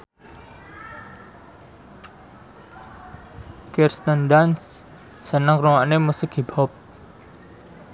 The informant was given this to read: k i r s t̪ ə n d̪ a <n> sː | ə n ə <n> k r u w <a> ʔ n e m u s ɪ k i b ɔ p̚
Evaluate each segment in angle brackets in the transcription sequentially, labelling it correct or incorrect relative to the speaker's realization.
correct, incorrect: ŋ, correct

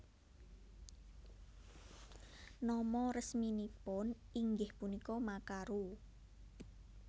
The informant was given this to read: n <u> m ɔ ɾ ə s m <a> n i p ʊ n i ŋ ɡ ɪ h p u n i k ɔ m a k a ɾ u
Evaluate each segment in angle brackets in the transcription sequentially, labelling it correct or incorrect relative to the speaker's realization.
incorrect: ɔ, incorrect: i

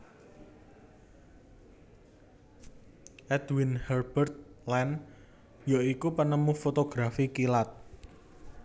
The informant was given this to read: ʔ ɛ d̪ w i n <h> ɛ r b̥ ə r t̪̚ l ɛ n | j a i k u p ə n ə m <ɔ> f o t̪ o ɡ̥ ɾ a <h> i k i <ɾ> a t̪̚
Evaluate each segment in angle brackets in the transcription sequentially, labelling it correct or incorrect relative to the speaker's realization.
correct, incorrect: u, incorrect: f, incorrect: l

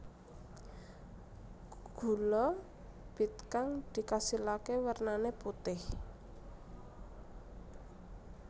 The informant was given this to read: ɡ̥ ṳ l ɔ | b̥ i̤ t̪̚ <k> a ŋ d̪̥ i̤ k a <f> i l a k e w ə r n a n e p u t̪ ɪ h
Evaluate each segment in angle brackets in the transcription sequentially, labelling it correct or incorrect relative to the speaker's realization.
correct, incorrect: s

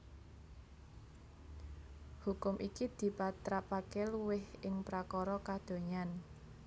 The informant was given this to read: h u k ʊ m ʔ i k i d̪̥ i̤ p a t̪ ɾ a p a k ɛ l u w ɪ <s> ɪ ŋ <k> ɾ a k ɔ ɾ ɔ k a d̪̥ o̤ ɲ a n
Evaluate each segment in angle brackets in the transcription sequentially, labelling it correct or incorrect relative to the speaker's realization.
incorrect: h, incorrect: p

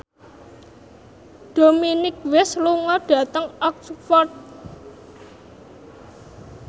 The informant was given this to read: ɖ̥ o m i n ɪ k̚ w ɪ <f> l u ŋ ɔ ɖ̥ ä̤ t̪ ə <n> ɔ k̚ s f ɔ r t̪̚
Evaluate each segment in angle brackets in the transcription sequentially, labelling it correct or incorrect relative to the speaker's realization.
incorrect: s, incorrect: ŋ

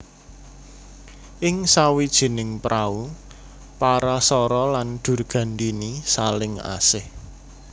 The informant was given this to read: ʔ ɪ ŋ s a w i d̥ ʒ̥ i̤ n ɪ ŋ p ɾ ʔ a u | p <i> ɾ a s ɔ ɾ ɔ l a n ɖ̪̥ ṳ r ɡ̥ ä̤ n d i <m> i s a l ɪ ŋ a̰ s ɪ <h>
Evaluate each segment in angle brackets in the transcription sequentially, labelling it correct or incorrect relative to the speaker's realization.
incorrect: a, incorrect: n, correct

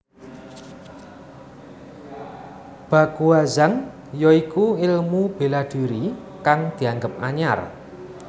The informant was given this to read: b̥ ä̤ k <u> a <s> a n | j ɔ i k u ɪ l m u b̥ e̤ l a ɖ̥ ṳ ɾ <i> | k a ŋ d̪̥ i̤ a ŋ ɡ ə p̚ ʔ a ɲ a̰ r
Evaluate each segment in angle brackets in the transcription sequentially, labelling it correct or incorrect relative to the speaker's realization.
correct, incorrect: z, correct

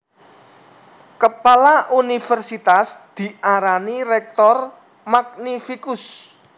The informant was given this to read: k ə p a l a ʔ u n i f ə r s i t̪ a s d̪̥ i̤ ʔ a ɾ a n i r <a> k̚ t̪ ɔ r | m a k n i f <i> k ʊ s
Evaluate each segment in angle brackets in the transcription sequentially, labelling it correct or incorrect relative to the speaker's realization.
incorrect: ɛ, correct

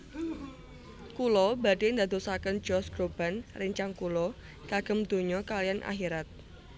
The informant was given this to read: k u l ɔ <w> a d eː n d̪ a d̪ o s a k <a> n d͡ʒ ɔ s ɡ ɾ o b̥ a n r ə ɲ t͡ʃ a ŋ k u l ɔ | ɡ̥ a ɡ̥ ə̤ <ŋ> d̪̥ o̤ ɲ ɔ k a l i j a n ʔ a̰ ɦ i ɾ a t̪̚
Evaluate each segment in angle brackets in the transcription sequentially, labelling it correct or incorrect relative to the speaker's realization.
incorrect: b, incorrect: ə, incorrect: m

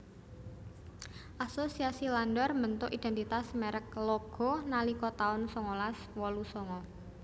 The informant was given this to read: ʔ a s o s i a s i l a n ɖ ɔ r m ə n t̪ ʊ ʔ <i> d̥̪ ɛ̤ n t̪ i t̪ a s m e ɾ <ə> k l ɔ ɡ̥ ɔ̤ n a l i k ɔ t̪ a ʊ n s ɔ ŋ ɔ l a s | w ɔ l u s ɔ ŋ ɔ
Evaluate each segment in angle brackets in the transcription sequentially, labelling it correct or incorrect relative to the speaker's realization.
correct, correct

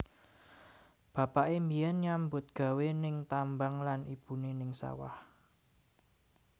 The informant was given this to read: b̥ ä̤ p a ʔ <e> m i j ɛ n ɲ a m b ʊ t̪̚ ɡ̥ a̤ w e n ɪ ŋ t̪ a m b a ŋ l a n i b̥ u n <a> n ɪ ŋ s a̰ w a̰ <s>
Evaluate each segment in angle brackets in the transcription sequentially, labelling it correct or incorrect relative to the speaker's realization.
correct, incorrect: e, incorrect: h

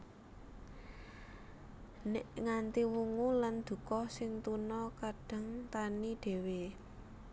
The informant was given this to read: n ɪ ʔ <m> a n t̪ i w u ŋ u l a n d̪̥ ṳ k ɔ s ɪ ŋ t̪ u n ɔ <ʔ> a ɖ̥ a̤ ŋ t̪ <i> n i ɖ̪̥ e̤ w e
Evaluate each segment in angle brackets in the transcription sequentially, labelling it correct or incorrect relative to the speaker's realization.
incorrect: ŋ, incorrect: k, incorrect: a

